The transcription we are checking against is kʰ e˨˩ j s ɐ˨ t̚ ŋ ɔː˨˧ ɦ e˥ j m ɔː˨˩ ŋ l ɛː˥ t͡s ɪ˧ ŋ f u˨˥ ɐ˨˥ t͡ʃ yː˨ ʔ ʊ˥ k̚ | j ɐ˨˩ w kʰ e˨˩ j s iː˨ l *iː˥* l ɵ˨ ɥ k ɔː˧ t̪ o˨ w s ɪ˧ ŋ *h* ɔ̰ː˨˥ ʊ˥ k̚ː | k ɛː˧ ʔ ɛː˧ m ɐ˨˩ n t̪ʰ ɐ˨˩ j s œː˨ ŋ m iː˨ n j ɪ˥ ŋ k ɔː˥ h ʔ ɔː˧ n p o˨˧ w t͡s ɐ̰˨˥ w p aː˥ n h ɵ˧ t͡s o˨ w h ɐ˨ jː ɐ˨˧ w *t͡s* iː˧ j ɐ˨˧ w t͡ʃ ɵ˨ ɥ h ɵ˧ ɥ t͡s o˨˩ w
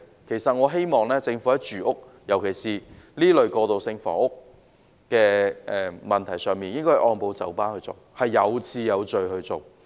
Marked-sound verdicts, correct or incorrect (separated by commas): correct, incorrect, incorrect